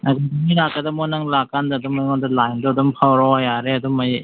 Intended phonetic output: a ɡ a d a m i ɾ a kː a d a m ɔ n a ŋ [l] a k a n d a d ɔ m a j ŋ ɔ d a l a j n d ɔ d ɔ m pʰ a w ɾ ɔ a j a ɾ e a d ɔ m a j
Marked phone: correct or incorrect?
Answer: correct